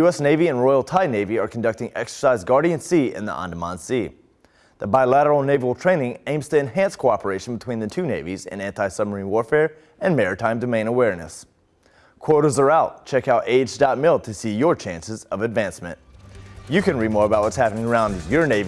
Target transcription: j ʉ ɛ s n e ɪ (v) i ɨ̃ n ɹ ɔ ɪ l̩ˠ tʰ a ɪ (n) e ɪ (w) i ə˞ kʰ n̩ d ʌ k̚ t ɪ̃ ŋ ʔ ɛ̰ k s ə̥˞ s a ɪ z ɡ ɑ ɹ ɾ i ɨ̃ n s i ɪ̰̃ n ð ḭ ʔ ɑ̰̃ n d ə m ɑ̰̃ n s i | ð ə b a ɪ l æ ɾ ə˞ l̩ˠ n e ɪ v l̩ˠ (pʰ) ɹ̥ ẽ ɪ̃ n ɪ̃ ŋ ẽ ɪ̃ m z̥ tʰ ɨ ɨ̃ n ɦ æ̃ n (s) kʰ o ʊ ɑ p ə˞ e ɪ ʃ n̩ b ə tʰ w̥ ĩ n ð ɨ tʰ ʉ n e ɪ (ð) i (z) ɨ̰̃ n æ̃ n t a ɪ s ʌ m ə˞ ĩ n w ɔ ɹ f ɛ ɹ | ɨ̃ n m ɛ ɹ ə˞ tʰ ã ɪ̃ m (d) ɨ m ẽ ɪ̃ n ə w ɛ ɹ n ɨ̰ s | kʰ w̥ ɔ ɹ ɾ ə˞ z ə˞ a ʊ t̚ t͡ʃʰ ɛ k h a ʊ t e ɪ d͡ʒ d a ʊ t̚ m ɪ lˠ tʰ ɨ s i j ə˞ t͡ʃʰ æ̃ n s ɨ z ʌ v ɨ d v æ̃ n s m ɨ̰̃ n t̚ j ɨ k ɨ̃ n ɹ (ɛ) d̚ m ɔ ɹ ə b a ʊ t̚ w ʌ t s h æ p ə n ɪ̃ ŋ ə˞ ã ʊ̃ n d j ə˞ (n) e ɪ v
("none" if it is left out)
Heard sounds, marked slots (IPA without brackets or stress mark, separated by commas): v, n, v, tʰ, s, v, z, d, i, n